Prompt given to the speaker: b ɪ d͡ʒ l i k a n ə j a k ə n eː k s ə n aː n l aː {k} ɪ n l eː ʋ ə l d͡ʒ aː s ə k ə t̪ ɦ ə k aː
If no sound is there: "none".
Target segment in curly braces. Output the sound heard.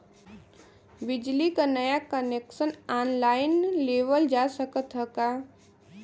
none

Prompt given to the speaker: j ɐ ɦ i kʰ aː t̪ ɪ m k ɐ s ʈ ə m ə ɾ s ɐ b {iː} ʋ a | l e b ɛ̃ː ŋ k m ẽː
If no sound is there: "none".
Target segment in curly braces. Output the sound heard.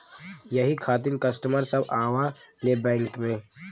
aː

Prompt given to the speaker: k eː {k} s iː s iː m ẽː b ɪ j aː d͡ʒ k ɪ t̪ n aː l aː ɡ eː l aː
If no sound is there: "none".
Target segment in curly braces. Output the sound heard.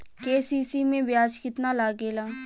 none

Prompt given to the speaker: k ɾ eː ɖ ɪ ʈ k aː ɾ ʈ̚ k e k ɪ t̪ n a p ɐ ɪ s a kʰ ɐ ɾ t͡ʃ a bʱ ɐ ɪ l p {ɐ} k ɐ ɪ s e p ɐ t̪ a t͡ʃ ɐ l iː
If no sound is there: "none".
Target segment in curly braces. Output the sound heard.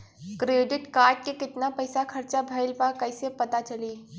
a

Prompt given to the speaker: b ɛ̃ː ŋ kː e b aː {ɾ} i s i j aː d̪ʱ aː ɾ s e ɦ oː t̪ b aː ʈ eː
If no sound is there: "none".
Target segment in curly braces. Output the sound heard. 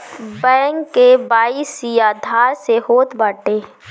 none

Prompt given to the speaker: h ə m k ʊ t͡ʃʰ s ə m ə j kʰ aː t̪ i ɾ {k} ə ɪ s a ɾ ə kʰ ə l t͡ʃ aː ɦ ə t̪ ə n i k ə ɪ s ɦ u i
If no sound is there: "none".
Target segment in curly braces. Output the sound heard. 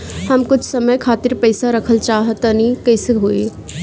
p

